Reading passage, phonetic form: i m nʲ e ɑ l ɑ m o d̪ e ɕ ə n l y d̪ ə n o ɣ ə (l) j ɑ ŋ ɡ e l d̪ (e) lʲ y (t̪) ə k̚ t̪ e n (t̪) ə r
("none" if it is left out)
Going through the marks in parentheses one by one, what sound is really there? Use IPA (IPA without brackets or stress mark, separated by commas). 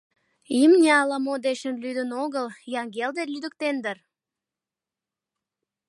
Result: l, e, d̪, d̪